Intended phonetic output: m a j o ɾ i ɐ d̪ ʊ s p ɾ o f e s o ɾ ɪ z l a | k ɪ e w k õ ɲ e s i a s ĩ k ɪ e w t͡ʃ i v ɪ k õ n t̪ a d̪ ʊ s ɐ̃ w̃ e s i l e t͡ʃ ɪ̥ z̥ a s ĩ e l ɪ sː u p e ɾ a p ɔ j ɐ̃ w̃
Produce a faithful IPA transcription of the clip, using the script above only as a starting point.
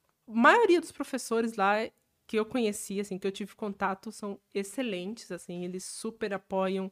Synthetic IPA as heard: m a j o ɾ i ɐ d̪ ʊ s p ɾ o f e s o ɾ ɪ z l a | k ɪ e w k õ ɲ e s i a s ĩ k ɪ e w t͡ʃ i v ɪ k õ n t̪ a t̪ ʊ s ɐ̃ w̃ e s e l ẽ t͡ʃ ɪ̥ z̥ a s ĩ e l ɪ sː u p e ɾ a p ɔ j ɐ̃ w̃